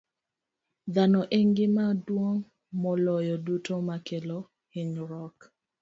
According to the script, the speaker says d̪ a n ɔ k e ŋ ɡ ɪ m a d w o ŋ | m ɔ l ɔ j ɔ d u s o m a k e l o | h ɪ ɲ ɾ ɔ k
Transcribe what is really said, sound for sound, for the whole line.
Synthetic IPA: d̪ a n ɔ ʔ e ŋ ɡ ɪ m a d w o ŋ | m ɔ l ɔ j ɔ d u t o m a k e l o | h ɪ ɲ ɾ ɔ k